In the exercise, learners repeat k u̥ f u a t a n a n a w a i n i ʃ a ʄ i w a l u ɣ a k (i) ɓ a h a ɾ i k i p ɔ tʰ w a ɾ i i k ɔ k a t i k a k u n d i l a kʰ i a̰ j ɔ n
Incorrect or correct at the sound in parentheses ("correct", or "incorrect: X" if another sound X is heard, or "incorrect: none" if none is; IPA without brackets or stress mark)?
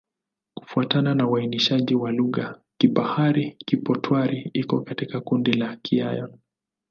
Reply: correct